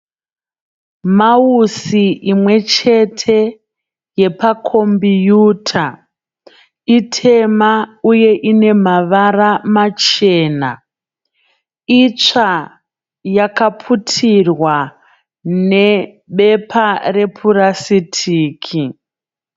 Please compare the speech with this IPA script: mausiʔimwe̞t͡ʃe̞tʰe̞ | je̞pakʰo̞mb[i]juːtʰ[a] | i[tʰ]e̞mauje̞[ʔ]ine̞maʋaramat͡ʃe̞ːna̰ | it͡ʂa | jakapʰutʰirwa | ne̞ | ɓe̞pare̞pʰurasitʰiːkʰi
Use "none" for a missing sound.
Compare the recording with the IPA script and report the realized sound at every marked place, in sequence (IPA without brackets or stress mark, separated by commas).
i, a, tʰ, ʔ